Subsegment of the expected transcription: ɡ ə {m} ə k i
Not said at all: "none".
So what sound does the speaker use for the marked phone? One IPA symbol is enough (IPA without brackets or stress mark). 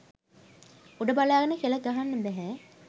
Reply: n